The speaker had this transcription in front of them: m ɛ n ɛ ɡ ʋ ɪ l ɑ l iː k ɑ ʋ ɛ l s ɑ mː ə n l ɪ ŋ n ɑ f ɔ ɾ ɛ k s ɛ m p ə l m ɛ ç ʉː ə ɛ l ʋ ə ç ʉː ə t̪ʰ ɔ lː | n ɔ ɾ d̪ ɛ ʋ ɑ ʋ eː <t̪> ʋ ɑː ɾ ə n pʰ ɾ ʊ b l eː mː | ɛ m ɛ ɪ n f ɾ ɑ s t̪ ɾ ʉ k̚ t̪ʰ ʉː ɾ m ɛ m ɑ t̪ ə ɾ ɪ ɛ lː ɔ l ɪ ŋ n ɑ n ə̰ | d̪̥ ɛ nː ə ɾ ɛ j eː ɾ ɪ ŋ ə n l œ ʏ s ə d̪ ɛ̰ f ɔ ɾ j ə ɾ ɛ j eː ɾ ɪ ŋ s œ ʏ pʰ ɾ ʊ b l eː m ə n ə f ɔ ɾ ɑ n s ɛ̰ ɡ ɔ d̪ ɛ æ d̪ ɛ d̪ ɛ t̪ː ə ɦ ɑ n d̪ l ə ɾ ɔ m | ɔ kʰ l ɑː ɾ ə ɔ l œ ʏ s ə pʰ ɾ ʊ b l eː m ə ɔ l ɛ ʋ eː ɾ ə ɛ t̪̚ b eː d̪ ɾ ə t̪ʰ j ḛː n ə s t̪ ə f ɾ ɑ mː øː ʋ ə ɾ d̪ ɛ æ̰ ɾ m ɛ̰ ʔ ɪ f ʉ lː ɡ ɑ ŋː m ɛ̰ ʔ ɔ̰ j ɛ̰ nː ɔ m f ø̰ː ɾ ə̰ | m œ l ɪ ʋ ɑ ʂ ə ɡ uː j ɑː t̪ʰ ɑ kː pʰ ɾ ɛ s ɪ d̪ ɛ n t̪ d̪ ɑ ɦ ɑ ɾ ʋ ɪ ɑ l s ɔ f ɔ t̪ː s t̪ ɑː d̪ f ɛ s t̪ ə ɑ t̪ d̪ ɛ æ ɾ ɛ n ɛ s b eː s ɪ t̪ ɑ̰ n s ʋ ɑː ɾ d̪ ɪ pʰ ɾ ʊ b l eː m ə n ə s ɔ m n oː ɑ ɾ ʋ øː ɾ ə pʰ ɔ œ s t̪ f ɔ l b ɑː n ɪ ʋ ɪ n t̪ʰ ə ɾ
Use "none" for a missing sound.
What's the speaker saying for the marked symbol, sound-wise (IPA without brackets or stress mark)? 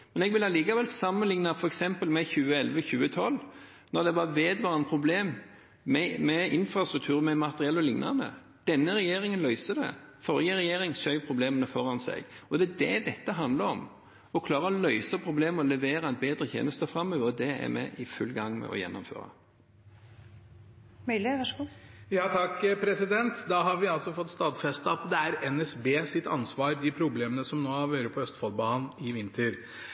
d̪